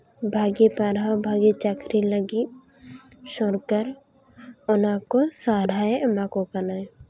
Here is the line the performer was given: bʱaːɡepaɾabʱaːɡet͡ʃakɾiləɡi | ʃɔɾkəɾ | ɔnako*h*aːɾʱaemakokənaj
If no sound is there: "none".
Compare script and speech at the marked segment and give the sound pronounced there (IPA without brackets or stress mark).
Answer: s